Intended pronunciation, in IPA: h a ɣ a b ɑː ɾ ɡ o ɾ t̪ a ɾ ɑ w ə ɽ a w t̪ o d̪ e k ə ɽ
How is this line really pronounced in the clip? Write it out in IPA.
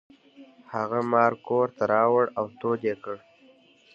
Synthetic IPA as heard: h a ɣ a m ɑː ɾ k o ɾ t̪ a ɾ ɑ w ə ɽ a w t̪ o d̪ e k ə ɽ